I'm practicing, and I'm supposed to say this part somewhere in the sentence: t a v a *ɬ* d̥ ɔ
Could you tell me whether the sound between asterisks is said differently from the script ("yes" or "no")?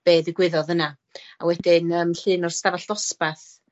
no